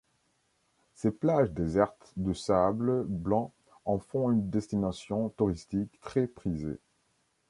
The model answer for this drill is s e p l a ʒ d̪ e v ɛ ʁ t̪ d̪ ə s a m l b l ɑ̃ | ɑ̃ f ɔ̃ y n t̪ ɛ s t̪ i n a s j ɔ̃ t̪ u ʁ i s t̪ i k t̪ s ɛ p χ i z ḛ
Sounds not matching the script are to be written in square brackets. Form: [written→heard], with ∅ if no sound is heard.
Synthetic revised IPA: s e p l a ʒ d̪ e [v→z] ɛ ʁ t̪ d̪ ə s a [m→b] l b l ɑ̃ | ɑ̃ f ɔ̃ y n [t̪→d̪] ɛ s t̪ i n a s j ɔ̃ t̪ u ʁ i s t̪ i k t̪ [s→χ] ɛ p χ i z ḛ